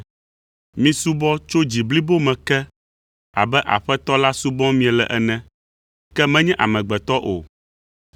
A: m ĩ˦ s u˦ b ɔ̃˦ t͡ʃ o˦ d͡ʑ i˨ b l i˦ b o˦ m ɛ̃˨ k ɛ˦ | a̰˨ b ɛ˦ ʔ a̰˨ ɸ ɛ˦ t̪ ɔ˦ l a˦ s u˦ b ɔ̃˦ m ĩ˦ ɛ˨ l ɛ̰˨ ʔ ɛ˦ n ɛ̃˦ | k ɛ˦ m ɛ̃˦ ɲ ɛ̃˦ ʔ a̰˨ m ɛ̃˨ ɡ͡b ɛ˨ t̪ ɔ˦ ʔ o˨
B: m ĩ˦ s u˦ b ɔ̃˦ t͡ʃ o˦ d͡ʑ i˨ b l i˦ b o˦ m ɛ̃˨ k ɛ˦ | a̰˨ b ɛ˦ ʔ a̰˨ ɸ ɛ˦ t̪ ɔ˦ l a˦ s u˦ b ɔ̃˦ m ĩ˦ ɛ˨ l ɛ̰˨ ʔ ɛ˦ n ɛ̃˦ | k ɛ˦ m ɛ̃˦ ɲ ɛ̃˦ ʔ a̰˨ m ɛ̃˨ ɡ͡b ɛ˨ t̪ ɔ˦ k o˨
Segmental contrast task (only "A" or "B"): A